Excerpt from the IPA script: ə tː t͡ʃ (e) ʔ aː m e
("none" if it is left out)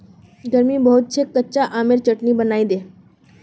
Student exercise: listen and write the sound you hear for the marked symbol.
a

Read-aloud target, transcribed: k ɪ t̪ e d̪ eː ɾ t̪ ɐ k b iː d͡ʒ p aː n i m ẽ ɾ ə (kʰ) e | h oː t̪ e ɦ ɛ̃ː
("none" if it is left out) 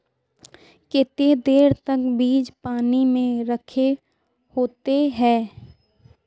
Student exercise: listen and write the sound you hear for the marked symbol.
kʰ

